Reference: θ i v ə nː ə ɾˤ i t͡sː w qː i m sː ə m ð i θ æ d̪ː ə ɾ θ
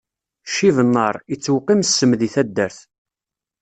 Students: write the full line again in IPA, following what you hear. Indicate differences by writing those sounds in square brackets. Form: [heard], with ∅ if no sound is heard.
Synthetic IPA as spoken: [ʃ] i v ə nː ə ɾˤ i t͡sː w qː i m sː ə m ð i θ æ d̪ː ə ɾ θ

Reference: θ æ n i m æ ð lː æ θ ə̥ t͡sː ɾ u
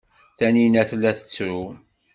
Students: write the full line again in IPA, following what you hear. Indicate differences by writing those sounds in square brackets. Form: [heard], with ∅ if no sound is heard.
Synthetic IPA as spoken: θ æ n i [n] æ [θ] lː æ θ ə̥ t͡sː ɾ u

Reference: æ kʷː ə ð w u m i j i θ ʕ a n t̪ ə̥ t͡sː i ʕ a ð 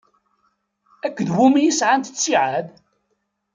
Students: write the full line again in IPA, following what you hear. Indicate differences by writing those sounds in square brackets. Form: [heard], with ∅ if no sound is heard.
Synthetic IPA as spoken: æ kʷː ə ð w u m i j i [s] ʕ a n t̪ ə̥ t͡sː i ʕ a ð

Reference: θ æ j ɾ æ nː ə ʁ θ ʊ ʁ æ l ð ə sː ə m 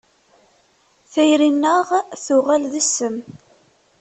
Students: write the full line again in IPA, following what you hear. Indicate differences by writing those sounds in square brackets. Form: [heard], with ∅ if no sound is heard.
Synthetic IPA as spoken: θ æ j ɾ [i] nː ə ʁ θ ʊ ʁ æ l ð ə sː ə m

